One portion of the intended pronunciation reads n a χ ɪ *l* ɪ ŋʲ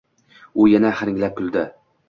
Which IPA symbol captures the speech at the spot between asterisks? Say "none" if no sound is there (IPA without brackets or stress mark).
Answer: ɾ